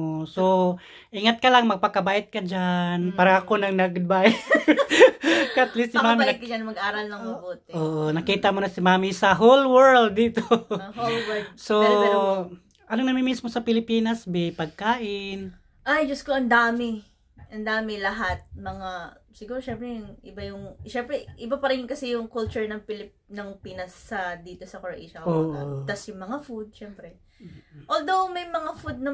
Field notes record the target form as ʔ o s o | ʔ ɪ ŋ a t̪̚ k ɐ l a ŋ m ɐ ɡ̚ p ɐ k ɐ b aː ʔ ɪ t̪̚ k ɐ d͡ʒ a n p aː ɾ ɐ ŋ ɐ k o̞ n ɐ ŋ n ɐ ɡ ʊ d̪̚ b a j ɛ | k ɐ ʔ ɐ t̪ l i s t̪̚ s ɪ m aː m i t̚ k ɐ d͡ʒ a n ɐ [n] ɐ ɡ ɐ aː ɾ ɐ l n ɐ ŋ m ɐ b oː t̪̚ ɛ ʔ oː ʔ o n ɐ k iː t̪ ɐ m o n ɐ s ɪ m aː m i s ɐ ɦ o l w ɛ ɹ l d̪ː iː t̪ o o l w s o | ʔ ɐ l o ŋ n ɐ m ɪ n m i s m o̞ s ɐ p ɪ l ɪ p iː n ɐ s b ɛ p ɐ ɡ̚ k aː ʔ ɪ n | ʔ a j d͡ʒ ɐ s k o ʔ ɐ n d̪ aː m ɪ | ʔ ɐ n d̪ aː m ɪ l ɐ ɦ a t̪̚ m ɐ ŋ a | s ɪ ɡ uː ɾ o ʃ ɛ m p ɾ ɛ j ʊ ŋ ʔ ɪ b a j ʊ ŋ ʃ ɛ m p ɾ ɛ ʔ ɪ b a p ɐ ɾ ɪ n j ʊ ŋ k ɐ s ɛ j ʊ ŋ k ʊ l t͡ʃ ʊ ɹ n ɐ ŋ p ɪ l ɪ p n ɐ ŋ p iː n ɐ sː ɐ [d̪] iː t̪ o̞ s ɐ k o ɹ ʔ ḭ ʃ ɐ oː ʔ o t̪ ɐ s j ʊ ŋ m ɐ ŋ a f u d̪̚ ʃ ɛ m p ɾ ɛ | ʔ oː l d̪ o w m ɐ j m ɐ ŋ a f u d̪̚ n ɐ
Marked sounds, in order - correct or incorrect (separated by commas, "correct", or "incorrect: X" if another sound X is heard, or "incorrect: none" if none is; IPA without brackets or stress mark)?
incorrect: m, correct